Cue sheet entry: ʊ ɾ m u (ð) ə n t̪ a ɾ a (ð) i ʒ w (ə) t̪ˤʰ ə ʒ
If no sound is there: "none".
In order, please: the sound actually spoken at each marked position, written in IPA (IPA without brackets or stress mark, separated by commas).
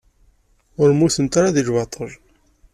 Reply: θ, ð, ɑ